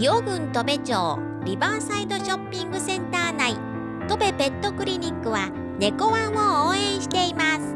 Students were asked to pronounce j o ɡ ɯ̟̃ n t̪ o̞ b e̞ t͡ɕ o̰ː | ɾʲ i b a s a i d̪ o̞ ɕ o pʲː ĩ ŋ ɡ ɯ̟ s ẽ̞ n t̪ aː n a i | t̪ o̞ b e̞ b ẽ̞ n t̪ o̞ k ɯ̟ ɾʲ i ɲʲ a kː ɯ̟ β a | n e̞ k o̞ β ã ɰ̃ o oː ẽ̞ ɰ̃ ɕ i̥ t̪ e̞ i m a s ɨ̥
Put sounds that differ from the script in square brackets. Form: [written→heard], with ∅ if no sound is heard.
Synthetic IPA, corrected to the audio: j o ɡ ɯ̟̃ n t̪ o̞ b e̞ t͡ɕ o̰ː | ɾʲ i b a s a i d̪ o̞ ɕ o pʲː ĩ ŋ ɡ ɯ̟ s ẽ̞ n t̪ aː n a i | t̪ o̞ b e̞ b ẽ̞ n t̪ o̞ k ɯ̟ ɾʲ i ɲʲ [a→i] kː ɯ̟ β a | n e̞ k o̞ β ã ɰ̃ o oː ẽ̞ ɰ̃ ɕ i̥ t̪ e̞ i m a s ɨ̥